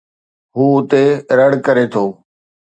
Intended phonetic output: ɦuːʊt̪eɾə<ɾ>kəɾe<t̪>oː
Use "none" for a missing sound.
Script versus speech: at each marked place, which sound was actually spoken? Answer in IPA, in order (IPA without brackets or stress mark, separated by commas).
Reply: ɽ, t̪ʰ